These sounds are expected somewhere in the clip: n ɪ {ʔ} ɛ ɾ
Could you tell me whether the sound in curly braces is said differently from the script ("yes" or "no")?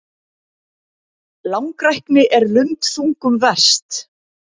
no